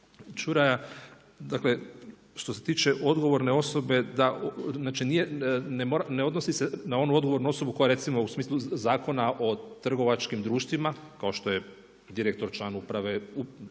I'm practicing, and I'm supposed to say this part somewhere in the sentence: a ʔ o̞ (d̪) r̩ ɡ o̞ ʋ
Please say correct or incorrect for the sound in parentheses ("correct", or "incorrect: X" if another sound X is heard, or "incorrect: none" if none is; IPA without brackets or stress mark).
incorrect: t̪